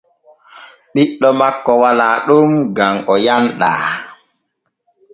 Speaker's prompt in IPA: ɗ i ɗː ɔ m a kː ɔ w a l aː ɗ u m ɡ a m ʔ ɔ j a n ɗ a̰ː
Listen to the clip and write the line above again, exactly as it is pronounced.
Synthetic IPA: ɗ i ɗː ɔ m a kː ɔ w a l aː ɗ u m ɡ a m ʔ ɔ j a n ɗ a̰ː